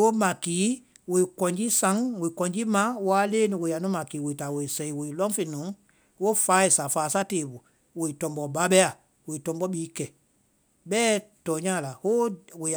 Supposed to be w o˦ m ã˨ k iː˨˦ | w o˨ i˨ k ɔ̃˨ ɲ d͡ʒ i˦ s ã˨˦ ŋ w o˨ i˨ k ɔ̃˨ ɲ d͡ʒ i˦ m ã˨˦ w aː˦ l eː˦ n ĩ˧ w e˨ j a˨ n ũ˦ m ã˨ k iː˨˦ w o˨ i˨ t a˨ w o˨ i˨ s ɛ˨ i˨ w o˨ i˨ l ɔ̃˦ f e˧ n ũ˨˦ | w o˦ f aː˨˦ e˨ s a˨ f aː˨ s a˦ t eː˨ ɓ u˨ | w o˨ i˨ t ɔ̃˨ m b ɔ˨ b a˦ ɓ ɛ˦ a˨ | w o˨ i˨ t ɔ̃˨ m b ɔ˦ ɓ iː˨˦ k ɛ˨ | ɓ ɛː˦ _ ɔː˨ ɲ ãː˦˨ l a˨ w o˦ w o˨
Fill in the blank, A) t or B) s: A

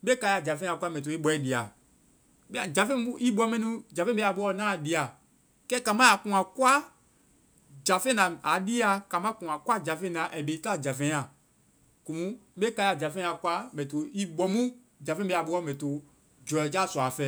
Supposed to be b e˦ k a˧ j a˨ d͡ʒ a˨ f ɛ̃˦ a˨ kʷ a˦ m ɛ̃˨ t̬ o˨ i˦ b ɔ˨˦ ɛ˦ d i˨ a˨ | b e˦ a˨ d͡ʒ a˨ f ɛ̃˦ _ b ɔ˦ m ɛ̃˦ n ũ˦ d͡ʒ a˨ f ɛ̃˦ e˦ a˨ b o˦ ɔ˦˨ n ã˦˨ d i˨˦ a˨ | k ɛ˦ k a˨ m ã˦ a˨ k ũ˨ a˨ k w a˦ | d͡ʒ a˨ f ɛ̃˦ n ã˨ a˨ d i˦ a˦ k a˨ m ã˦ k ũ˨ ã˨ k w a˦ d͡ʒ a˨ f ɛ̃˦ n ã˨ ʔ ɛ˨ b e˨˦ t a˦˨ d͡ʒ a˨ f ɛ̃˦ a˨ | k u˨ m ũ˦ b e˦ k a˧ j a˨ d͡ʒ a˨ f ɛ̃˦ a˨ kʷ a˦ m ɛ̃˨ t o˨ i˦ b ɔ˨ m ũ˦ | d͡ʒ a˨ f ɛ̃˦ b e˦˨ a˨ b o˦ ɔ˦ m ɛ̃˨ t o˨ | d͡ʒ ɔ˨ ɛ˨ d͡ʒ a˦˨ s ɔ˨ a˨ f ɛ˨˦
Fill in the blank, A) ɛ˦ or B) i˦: B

